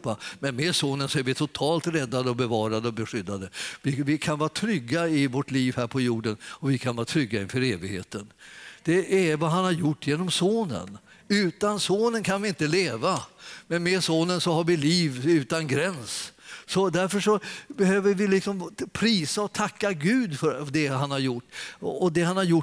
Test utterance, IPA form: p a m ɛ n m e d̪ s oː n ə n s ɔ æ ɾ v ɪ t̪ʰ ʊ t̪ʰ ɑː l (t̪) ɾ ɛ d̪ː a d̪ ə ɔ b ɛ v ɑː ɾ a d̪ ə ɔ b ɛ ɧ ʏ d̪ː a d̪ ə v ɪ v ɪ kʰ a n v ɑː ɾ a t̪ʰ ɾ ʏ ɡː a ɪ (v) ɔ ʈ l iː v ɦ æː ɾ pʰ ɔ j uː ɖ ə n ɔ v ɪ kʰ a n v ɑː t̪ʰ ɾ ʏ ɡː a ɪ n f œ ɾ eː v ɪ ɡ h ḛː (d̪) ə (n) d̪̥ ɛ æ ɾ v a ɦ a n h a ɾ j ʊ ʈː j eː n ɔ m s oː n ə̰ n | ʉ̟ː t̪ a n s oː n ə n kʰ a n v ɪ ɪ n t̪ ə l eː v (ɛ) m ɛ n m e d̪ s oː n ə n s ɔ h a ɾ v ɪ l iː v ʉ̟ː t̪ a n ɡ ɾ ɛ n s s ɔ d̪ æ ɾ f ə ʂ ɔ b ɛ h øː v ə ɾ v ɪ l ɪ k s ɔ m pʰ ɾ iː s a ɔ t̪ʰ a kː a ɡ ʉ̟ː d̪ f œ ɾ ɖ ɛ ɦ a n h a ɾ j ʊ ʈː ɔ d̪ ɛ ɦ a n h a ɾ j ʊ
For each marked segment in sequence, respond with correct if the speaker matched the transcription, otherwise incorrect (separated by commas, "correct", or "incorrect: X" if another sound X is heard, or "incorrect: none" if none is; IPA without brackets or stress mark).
correct, correct, incorrect: t̪, correct, incorrect: a